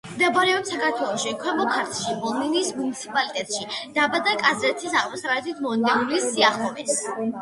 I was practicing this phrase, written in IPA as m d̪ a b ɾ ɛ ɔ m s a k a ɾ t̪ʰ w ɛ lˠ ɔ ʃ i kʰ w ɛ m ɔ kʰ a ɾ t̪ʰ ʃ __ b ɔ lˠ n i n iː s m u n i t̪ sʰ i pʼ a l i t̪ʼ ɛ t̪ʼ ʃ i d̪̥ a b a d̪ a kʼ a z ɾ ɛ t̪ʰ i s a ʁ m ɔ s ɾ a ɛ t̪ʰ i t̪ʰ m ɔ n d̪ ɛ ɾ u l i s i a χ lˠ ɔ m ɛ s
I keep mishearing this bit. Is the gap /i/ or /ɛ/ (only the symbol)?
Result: i